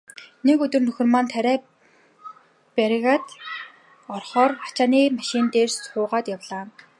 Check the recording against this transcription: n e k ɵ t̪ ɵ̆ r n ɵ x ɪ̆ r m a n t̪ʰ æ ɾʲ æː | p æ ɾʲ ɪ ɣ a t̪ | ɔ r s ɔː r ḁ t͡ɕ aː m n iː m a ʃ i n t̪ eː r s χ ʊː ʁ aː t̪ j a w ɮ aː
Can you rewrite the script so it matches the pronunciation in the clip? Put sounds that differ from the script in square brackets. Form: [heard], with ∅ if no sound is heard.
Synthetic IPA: n e k ɵ t̪ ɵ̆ r n ɵ x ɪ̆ r m a n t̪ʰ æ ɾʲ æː | p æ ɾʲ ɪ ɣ a t̪ | ɔ r [χ] ɔː r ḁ t͡ɕ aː [∅] n iː m a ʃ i n t̪ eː r s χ ʊː ʁ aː t̪ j a w ɮ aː